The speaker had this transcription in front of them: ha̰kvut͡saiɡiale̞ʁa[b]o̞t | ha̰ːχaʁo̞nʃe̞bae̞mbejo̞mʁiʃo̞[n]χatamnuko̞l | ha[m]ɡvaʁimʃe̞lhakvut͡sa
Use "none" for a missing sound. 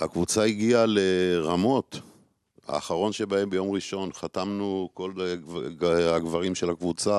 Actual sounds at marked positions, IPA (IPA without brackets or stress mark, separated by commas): m, n, none